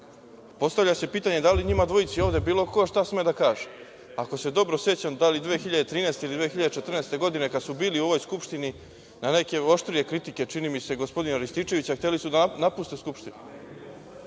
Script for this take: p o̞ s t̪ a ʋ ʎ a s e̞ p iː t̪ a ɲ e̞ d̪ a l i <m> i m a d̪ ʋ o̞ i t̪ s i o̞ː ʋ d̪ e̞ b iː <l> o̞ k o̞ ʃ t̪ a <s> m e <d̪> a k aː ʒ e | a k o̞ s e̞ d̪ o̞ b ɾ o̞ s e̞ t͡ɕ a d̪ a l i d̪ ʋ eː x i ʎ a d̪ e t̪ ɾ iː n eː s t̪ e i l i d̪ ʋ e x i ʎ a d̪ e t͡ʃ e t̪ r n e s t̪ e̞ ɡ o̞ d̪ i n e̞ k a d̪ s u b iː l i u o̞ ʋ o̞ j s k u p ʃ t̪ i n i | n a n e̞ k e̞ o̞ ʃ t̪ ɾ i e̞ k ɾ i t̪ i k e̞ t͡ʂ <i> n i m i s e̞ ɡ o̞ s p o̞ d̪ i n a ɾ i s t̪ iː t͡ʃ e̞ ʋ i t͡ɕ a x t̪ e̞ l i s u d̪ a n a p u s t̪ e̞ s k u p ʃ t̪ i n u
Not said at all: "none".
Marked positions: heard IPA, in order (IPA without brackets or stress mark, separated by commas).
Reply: ɲ, l, s, d̪, i